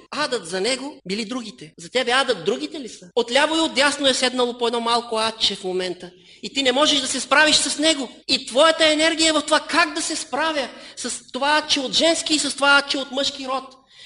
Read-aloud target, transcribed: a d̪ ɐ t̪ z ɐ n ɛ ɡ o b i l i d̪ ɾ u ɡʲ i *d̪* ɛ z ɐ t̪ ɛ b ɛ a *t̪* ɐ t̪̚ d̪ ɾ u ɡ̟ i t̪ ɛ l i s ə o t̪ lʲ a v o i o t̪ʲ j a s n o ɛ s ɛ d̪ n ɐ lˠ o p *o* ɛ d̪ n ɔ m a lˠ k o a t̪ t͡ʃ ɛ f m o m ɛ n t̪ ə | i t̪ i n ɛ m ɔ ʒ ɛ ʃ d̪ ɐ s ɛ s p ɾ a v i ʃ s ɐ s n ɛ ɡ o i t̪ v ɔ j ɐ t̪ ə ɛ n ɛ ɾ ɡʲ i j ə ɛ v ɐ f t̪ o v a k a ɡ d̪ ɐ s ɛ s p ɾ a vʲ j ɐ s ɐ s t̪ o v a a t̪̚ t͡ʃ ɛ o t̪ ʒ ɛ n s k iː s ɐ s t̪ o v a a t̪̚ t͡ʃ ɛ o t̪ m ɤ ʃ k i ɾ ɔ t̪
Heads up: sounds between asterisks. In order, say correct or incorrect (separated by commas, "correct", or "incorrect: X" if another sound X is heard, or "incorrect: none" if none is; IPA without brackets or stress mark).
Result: incorrect: t̪, incorrect: d̪, correct